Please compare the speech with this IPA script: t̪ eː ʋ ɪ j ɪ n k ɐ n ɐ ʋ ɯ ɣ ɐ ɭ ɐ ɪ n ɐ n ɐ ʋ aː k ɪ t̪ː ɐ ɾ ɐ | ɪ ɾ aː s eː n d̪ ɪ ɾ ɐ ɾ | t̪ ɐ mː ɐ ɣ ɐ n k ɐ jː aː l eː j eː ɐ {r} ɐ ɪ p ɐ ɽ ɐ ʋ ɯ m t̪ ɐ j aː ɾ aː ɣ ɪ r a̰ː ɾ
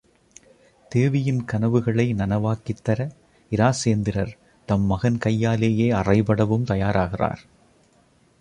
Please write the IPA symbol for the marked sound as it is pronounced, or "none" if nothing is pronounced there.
r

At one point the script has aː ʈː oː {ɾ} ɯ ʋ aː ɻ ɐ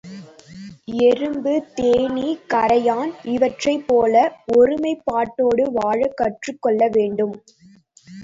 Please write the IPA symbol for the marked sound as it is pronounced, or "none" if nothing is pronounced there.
ɽ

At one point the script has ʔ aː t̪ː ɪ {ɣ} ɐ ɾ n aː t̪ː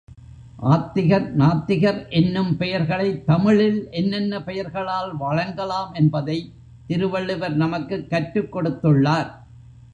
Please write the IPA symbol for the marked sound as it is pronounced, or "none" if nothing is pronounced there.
ɣ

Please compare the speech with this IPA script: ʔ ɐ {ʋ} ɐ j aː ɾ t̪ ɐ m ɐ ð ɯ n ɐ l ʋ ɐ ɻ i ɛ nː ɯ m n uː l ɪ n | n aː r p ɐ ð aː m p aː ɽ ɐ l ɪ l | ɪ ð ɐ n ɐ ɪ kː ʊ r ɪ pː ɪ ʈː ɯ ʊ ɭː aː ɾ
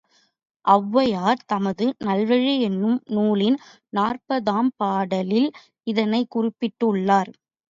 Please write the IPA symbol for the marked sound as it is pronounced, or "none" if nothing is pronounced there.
ʋː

